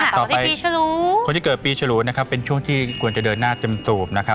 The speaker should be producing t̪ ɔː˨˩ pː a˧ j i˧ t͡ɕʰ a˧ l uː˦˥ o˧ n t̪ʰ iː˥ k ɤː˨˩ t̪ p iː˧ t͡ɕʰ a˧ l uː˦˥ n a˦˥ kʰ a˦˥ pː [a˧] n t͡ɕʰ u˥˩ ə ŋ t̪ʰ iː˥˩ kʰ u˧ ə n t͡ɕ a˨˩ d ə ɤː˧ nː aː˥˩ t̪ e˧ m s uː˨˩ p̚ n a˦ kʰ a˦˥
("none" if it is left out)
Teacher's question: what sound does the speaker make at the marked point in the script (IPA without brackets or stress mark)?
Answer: e˧